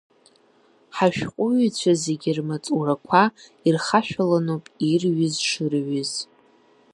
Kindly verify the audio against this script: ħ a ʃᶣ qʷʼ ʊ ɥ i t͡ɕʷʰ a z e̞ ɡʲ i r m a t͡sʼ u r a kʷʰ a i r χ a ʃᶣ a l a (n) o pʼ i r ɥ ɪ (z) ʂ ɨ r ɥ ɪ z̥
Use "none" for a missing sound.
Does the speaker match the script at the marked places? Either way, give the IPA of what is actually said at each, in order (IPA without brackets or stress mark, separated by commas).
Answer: n, z